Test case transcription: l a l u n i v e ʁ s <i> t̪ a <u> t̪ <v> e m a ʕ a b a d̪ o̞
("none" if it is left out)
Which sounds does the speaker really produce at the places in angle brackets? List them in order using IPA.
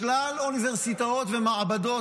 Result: i, o, v

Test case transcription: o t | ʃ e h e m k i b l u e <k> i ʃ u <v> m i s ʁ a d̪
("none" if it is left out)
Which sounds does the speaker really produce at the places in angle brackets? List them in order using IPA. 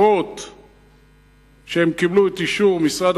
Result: t, ʁ

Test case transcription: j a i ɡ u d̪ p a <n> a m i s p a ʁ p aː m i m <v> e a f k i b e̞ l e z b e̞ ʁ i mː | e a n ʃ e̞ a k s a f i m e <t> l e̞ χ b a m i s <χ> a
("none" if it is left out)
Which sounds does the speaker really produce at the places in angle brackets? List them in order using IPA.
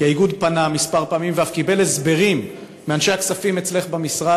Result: n, v, t͡s, ʁ

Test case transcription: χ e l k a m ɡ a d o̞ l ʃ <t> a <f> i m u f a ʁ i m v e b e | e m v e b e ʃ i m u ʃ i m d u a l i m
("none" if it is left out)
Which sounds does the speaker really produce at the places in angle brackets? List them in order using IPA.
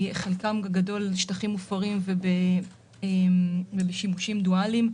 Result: t, χ

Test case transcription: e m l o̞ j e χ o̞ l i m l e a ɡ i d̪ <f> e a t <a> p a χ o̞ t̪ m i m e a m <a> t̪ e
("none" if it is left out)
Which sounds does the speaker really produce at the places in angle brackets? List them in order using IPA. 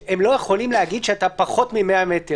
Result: ʃ, a, e

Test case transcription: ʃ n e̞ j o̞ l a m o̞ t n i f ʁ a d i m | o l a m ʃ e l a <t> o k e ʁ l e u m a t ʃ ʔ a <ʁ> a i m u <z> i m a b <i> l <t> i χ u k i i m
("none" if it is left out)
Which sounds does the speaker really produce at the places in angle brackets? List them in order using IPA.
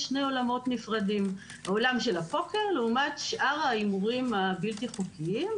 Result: p, ʁ, ʁ, i, t

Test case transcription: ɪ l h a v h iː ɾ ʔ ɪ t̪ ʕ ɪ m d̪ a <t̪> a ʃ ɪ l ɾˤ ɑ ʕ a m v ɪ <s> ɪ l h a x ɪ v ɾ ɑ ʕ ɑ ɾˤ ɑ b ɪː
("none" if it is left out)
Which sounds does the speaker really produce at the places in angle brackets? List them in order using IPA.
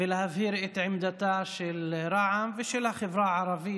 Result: t̪, ʃ

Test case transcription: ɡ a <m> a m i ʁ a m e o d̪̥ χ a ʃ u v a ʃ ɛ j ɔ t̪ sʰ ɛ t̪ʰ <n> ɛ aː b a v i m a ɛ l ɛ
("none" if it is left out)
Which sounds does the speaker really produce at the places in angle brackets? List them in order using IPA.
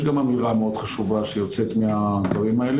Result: m, m

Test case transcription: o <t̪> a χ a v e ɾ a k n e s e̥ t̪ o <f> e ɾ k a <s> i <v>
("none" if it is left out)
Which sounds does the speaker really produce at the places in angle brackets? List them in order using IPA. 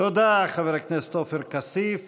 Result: d̪, f, s, f

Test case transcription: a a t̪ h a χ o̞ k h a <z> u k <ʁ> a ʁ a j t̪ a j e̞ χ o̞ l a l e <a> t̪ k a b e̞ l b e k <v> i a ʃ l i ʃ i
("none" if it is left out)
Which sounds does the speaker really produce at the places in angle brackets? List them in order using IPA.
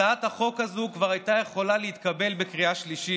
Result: z, v, i, ʁ

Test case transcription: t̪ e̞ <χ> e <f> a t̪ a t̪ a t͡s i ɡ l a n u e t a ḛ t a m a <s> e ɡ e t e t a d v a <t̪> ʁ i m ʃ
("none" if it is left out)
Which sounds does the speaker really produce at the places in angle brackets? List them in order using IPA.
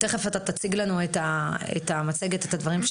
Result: χ, f, t͡s, none

